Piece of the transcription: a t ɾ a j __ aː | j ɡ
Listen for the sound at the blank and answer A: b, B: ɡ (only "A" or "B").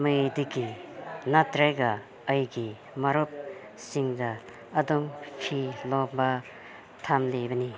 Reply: B